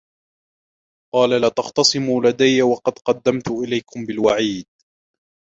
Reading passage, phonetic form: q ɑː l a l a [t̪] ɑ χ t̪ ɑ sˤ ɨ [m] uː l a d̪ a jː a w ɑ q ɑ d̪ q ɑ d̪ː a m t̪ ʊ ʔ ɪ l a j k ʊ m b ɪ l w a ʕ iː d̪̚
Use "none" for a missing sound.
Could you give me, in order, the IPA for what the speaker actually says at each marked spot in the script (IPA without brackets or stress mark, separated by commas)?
t̪, m